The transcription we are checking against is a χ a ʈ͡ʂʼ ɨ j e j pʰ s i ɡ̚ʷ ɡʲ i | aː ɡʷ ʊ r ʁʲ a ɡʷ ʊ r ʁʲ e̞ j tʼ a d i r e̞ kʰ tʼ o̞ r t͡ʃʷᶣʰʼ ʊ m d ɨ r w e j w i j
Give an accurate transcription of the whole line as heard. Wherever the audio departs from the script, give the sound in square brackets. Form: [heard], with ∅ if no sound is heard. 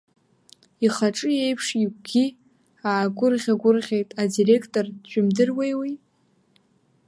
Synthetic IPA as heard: [i] χ a ʈ͡ʂʼ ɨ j e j pʰ [ʂ] i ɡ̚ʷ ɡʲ i | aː ɡʷ ʊ r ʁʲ a ɡʷ ʊ r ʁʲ e̞ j tʼ a d i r e̞ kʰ tʼ o̞ r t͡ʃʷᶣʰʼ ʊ m d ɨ r w e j w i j

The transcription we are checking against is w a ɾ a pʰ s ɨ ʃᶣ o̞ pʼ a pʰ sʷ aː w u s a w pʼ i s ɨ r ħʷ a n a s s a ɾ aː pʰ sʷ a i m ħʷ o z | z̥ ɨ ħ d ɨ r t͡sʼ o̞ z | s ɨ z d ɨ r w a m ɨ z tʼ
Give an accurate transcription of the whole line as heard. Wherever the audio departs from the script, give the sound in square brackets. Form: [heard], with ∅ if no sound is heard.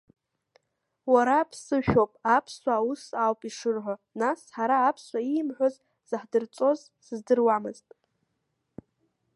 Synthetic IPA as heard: w a ɾ a pʰ s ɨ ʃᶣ o̞ pʼ a pʰ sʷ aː w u s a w pʼ i [ʂ] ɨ r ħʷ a n a s [ħ] a ɾ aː pʰ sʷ a i m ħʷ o z | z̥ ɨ ħ d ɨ r t͡sʼ o̞ z | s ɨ z d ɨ r w a m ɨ z tʼ

